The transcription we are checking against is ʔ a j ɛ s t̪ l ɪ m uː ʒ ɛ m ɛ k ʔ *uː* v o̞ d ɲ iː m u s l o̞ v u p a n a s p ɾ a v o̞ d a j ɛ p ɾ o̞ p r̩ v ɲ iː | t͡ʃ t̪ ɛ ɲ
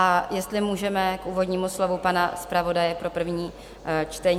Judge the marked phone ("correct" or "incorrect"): correct